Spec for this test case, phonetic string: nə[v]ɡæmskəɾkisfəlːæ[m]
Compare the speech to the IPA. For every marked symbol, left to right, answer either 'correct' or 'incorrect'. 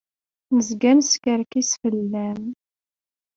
incorrect: z, correct

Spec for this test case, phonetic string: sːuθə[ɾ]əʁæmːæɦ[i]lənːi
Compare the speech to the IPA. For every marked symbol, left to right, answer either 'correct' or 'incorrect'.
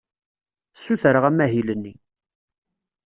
correct, correct

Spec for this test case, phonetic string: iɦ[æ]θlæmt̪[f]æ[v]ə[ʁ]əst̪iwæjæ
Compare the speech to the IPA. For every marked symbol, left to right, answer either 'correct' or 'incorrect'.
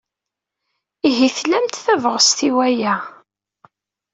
incorrect: i, incorrect: θ, correct, correct

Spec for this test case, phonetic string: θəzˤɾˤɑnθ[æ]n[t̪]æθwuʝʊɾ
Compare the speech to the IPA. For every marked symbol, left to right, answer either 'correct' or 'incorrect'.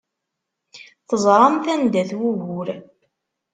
correct, incorrect: d̪

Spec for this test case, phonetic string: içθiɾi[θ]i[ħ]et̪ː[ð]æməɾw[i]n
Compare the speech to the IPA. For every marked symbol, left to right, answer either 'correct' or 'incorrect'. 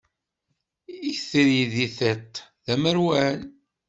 incorrect: ð, incorrect: θ, correct, incorrect: æ

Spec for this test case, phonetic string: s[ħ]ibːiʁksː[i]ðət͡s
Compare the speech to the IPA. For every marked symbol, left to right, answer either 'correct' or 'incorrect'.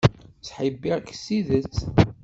correct, correct

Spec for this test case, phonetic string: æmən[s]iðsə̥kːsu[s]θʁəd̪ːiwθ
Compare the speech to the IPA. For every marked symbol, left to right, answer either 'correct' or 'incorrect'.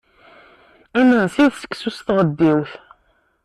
correct, correct

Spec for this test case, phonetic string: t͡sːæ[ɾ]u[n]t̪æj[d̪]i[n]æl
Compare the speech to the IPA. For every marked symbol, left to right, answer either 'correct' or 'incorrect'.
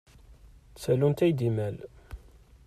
incorrect: l, correct, correct, incorrect: m

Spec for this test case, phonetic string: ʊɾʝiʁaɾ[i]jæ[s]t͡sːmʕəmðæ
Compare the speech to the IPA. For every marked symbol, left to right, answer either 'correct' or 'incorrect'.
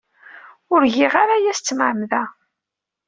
incorrect: a, correct

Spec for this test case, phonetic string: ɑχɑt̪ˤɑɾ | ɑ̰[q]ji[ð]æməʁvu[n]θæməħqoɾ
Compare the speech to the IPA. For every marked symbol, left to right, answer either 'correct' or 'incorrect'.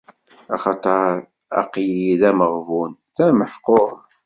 correct, correct, correct

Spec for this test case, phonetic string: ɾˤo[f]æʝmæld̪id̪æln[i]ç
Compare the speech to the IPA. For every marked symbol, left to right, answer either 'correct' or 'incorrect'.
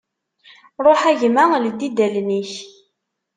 incorrect: ħ, correct

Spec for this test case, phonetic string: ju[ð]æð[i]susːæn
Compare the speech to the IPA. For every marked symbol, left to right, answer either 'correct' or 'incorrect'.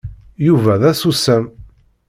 incorrect: v, incorrect: æ

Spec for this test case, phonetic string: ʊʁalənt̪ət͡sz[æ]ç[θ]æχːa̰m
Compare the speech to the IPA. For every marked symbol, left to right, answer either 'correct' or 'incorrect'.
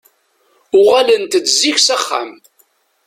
incorrect: i, incorrect: s

